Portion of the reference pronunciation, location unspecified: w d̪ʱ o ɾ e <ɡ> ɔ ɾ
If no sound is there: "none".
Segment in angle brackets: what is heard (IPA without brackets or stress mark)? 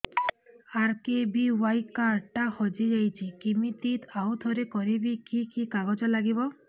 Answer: k